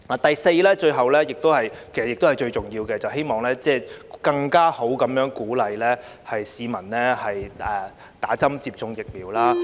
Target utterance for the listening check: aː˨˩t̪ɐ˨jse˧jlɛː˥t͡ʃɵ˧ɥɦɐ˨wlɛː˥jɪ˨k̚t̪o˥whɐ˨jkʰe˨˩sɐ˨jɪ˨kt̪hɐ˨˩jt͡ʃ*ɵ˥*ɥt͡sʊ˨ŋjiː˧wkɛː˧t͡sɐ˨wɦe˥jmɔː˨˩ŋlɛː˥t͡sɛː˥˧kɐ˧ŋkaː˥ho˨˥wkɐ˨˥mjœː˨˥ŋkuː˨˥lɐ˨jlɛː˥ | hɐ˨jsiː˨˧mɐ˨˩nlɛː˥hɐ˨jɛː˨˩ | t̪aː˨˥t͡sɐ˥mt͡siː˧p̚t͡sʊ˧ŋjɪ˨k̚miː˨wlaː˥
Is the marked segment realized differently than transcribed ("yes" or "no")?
yes